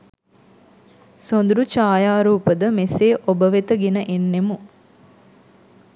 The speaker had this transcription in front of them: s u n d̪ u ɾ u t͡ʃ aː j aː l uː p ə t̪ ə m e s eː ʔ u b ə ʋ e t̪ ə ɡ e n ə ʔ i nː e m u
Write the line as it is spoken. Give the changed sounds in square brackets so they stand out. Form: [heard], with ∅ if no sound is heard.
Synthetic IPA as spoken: s [o] n d̪ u ɾ u t͡ʃ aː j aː [ɾ] uː p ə [d̪] ə m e s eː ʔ [o] b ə ʋ e t̪ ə ɡ e n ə ʔ [e] nː e m u

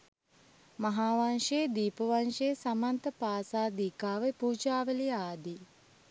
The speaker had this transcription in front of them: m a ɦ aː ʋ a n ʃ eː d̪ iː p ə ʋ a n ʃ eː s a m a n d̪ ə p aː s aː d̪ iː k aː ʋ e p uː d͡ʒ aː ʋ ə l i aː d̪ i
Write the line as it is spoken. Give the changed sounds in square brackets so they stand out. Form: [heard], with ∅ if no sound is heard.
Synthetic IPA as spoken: m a ɦ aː ʋ a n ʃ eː d̪ iː p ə ʋ a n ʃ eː s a m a n [t̪] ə p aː s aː d̪ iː k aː ʋ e p uː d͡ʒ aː ʋ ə l i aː d̪ i

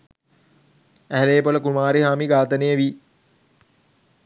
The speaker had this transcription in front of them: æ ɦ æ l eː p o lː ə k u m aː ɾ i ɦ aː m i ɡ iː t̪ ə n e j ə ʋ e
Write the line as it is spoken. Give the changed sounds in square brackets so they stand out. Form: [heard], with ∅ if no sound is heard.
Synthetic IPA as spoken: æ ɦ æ l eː p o [l] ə k u m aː ɾ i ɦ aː m i ɡ [aː] t̪ ə n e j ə ʋ [i]

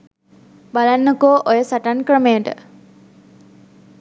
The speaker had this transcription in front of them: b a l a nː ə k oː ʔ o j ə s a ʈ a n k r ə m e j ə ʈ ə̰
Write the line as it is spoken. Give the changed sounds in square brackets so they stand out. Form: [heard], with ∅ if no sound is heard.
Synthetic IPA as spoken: b a l a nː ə k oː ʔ o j ə s a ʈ a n k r ə m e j ə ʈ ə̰

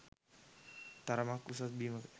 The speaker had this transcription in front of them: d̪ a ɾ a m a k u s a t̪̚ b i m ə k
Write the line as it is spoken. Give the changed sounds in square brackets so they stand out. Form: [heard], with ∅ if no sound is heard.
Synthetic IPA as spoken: [t̪] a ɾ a m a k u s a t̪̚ b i m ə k

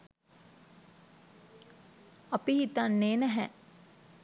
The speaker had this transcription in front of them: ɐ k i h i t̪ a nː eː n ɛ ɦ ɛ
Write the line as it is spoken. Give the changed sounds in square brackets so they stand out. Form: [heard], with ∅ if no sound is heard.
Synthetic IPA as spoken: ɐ [p] i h i t̪ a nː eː n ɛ ɦ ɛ

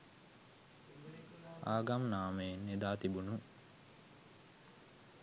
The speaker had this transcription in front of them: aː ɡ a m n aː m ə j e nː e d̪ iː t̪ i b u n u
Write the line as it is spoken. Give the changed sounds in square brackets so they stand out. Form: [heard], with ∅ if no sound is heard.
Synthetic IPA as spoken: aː ɡ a m n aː m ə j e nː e d̪ [aː] t̪ i b u n u

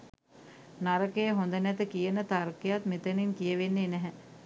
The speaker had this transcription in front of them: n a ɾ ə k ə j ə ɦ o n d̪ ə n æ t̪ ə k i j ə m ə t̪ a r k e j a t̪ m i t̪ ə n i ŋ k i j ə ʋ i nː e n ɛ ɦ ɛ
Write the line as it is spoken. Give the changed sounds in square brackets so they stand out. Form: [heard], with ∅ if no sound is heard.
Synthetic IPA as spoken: n a ɾ ə k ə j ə ɦ o n d̪ ə n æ t̪ ə k i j ə [n] ə t̪ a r k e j a t̪ m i t̪ ə n i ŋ k i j ə ʋ [e] nː e n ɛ ɦ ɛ

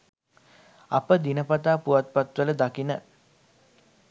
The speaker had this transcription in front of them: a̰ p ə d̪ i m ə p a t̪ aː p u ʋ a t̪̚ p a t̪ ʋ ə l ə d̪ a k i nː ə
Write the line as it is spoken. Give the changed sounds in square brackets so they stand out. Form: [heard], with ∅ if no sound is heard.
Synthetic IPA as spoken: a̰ p ə d̪ i [n] ə p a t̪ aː p u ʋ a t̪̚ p a t̪ ʋ ə l ə d̪ a k i [n] ə

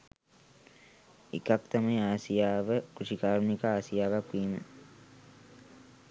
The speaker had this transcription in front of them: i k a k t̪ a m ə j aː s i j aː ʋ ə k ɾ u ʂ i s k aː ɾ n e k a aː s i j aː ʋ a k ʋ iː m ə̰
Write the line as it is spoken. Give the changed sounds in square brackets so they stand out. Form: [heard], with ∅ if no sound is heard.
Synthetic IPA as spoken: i k a k t̪ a m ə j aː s i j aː ʋ ə k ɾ u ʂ i [∅] k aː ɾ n [i] k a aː s i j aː ʋ a k ʋ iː m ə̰

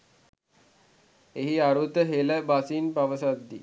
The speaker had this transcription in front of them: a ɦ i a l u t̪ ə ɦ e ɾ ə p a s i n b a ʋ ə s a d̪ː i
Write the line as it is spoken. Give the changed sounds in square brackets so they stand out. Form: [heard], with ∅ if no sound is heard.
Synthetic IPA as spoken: [e] ɦ i a [ɾ] u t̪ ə ɦ e [l] ə [b] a s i n [p] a ʋ ə s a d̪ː i

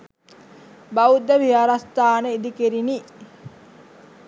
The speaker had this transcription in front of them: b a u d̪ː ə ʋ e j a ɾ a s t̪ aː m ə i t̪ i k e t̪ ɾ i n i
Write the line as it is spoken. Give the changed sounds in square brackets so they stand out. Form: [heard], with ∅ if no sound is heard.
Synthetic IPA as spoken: b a u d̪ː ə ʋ [i] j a ɾ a s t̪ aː [n] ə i [d̪] i k e [∅] ɾ i n i

